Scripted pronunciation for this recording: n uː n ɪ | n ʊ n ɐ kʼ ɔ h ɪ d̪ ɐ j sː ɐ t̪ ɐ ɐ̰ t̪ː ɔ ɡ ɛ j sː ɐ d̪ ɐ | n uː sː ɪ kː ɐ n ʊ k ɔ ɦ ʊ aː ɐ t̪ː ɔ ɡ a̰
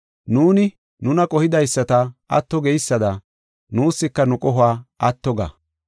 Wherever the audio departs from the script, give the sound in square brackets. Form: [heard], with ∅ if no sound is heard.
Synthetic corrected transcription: n uː n ɪ | n ʊ n ɐ kʼ ɔ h ɪ d̪ ɐ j sː ɐ t̪ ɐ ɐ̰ t̪ː ɔ ɡ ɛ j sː ɐ d̪ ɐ | n uː sː ɪ kː ɐ n ʊ [kʼ] ɔ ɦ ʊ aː ɐ t̪ː ɔ ɡ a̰